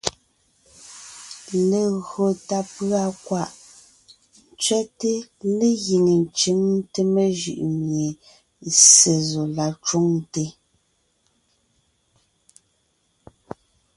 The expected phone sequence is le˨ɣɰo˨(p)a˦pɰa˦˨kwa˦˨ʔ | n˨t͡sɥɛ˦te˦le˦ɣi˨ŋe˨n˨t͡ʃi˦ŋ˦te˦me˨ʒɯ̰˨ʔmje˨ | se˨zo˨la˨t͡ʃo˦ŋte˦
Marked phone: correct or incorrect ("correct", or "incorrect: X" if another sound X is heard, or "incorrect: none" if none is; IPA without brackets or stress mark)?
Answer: incorrect: t